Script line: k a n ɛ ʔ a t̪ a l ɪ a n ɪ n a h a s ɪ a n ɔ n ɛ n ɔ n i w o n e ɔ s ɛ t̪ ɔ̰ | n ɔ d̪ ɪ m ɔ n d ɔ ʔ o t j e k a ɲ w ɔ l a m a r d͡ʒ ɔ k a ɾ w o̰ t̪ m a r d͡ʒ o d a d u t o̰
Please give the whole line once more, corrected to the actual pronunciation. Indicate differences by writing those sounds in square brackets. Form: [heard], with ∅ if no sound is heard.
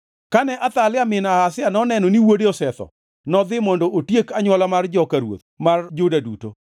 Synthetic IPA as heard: k a n ɛ ʔ a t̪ a l ɪ a [m] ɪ n a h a s ɪ a n ɔ n ɛ n ɔ n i w o [d] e ɔ s ɛ t̪ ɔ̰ | n ɔ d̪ ɪ m ɔ n d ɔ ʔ o t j e k a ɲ w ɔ l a m a r d͡ʒ ɔ k a ɾ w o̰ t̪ m a r d͡ʒ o d a d u t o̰